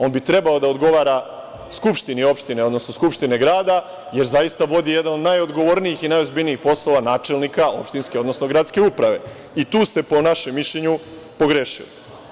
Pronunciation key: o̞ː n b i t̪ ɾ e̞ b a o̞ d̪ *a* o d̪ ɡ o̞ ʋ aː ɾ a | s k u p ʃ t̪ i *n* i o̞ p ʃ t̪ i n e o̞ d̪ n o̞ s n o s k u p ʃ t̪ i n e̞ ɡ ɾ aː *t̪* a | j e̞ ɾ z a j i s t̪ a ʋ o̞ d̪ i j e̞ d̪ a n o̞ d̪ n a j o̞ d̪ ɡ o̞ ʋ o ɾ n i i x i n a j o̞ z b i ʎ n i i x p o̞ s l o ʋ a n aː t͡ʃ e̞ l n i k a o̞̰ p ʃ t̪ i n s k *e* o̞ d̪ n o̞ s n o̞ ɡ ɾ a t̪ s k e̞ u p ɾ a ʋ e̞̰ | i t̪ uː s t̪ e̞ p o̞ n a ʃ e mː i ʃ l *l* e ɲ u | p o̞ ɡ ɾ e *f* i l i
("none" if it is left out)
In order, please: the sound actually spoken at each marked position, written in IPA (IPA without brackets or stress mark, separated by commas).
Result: a, n, d̪, e, ʎ, ʃ